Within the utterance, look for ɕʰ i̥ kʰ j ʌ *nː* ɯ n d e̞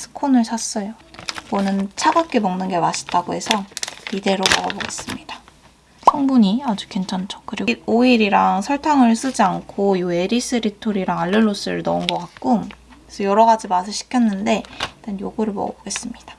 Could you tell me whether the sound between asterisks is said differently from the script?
no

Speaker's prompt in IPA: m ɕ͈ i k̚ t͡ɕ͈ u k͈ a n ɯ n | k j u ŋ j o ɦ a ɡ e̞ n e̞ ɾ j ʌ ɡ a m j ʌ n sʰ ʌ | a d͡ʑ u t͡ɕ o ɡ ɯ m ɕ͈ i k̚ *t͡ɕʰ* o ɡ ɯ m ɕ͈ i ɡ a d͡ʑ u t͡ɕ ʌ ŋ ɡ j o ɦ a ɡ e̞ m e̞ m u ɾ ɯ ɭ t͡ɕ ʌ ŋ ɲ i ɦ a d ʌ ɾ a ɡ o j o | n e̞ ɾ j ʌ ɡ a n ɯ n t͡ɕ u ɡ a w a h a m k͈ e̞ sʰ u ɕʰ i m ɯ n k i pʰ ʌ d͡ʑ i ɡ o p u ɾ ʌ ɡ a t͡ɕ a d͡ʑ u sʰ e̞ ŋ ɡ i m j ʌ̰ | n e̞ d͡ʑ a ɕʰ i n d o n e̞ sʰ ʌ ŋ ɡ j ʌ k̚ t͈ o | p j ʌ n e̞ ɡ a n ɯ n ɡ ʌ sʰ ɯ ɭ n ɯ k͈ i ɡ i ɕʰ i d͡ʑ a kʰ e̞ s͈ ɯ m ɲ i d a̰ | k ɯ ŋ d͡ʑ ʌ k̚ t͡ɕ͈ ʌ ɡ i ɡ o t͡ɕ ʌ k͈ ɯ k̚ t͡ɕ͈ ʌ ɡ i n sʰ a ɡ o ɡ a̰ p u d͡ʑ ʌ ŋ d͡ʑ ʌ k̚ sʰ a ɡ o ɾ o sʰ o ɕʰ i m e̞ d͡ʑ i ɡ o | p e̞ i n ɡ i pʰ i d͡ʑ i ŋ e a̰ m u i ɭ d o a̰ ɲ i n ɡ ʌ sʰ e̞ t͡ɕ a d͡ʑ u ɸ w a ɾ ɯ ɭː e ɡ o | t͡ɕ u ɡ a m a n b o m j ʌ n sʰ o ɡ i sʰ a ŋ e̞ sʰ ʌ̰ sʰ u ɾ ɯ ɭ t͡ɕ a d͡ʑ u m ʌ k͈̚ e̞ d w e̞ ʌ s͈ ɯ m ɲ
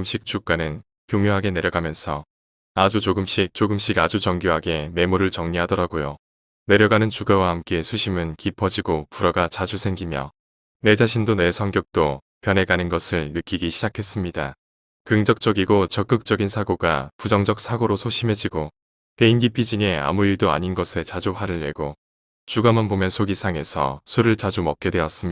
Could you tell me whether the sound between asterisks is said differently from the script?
yes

